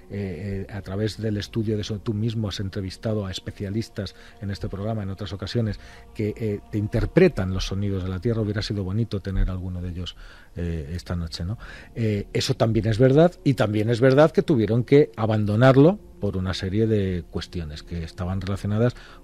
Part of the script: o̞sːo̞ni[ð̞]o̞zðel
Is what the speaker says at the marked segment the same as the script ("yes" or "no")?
yes